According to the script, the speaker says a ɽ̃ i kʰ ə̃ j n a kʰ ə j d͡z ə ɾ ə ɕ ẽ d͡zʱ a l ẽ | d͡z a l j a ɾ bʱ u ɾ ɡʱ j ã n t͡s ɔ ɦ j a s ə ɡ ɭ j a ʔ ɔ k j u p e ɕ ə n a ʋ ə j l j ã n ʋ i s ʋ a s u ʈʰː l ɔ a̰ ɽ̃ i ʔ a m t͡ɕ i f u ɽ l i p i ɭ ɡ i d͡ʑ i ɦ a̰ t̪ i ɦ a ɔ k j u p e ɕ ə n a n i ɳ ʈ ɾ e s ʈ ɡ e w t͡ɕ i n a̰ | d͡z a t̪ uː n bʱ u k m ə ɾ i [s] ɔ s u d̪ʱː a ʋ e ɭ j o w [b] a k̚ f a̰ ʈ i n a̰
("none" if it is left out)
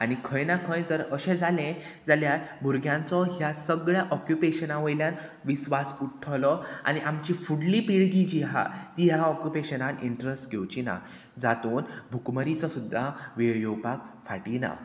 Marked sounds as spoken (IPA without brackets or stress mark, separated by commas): t͡s, p